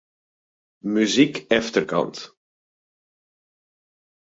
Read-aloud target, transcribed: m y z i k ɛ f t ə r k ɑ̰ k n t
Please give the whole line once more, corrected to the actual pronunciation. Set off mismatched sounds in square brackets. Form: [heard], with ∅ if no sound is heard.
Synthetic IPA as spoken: m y z i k ɛ f t ə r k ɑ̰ [∅] n t